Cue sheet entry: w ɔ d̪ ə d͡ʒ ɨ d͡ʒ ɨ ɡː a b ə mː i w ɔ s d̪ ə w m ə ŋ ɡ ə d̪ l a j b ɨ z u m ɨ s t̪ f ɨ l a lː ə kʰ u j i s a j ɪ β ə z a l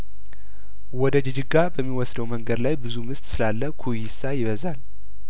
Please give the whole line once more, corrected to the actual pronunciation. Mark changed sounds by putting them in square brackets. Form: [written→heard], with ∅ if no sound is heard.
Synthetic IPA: w ɔ d̪ ə d͡ʒ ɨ d͡ʒ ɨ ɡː a b ə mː i w ɔ s d̪ ə w m ə ŋ ɡ ə d̪ l a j b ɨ z u m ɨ s t̪ [f→s] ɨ l a lː ə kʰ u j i s a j ɪ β ə z a l